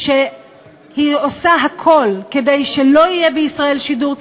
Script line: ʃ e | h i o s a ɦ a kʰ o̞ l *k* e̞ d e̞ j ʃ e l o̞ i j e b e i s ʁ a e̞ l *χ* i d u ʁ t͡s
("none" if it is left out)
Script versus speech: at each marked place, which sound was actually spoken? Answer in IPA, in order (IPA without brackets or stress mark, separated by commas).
k, ʃ